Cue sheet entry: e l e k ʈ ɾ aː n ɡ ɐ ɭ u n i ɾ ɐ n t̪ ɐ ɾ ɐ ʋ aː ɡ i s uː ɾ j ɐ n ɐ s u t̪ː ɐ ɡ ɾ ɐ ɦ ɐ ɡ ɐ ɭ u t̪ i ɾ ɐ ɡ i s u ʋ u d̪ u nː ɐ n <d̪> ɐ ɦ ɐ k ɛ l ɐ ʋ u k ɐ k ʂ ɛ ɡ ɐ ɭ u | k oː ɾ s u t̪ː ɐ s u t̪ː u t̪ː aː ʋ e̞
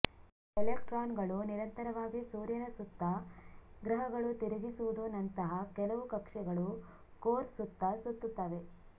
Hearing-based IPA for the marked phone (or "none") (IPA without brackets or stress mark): t̪